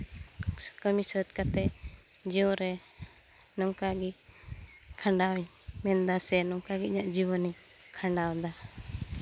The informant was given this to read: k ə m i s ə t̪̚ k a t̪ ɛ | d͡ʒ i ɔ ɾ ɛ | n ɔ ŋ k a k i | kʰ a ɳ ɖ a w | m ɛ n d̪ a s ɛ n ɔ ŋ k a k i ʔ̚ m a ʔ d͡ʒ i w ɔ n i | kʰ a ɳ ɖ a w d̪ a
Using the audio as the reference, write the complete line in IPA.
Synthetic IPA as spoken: k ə m i s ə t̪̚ k a t̪ ɛ | d͡ʒ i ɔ ɾ ɛ | n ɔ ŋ k a ɡ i | kʰ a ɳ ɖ a w | m ɛ n d̪ a s ɛ n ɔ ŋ k a ɡ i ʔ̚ ɲ a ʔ d͡ʒ i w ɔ n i | kʰ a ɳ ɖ a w d̪ a